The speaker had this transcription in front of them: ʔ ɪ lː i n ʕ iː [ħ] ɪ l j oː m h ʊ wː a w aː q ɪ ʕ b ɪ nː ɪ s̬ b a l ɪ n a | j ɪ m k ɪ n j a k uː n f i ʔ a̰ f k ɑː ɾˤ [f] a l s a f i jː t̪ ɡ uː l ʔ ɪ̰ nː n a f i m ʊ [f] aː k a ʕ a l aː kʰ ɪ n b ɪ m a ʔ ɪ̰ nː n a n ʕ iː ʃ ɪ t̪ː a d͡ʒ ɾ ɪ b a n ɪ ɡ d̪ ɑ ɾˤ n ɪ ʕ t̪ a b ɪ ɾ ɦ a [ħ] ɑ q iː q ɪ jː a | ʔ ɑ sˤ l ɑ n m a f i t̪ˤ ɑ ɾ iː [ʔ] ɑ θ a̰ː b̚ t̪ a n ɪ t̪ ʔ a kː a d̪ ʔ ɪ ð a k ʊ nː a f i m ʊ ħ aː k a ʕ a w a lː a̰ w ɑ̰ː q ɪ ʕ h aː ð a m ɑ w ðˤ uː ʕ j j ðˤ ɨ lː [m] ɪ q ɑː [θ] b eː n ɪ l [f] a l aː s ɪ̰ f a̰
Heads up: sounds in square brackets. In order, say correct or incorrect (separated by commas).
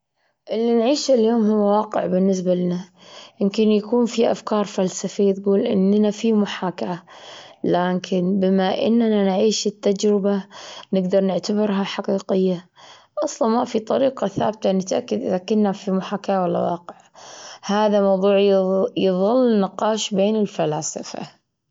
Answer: incorrect, correct, incorrect, correct, incorrect, incorrect, incorrect, correct